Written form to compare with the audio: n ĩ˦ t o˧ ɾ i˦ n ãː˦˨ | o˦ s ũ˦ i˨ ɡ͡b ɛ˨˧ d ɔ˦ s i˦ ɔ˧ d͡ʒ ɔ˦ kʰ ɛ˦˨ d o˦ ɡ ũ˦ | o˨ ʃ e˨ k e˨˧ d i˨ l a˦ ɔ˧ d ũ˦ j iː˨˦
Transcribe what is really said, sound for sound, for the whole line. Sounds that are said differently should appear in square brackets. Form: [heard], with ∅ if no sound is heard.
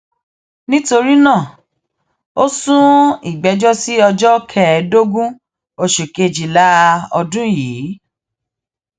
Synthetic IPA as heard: n ĩ˦ t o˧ ɾ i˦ n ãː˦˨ | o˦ s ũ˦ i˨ ɡ͡b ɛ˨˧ [d͡ʒ] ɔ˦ s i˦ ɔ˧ d͡ʒ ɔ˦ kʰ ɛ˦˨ d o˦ ɡ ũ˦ | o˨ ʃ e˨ k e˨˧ [d͡ʒ] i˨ l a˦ ɔ˧ d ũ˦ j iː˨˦